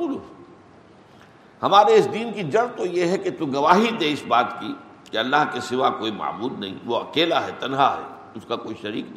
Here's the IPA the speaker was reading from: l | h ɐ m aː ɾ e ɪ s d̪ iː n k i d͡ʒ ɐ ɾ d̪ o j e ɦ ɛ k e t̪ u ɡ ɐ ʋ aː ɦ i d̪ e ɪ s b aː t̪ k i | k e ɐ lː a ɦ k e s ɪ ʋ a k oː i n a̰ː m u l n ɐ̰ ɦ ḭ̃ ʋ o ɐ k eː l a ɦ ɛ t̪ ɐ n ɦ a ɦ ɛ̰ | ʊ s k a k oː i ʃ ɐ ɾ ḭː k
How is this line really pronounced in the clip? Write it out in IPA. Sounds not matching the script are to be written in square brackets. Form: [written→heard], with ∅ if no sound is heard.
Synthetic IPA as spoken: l | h ɐ m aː ɾ e ɪ s d̪ iː n k i d͡ʒ ɐ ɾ [d̪→t̪] o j e ɦ ɛ k e t̪ u ɡ ɐ ʋ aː ɦ i d̪ e ɪ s b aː t̪ k i | k e ɐ lː a ɦ k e s ɪ ʋ a k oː i [n→m] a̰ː m [u→uː] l n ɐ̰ ɦ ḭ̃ ʋ o ɐ k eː l a ɦ ɛ t̪ ɐ n ɦ a ɦ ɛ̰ | ʊ s k a k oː i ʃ ɐ ɾ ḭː k